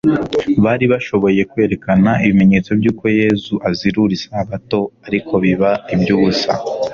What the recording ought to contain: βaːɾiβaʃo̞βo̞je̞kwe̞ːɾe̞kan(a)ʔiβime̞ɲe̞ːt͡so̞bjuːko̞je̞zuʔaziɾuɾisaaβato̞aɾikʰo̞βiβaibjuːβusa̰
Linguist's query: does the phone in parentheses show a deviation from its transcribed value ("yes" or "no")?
no